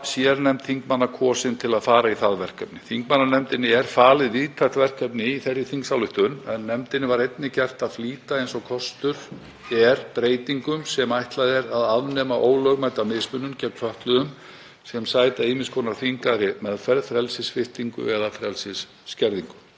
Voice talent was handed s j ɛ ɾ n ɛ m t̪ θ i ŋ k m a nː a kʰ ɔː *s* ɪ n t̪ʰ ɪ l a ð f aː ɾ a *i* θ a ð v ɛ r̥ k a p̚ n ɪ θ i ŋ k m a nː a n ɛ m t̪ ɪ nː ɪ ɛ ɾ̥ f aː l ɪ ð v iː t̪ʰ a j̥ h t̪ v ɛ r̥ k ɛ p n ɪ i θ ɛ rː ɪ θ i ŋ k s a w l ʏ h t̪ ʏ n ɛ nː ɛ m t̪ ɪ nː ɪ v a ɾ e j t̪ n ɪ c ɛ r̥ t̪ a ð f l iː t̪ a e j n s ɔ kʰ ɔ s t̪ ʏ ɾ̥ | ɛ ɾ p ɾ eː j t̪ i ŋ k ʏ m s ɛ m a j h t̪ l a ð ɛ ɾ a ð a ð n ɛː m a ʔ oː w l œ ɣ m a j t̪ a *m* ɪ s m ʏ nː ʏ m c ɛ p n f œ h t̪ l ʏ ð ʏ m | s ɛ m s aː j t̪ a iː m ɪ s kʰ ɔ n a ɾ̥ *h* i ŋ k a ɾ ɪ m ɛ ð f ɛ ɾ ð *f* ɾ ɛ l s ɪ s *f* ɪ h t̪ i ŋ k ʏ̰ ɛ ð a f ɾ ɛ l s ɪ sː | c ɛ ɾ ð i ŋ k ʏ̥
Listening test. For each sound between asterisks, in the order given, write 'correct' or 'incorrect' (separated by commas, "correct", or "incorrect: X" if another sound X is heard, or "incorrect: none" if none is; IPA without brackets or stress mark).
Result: correct, correct, correct, incorrect: θ, correct, correct